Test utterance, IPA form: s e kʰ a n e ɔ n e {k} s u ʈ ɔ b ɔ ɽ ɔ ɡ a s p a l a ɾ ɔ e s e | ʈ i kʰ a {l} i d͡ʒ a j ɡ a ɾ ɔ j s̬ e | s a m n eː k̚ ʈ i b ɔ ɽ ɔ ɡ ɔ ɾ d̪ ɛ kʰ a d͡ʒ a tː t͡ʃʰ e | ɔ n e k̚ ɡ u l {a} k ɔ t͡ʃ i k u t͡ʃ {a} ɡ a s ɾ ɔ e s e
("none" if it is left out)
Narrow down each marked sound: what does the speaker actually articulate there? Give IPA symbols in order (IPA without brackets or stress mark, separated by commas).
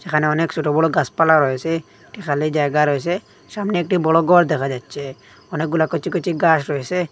k, l, a, i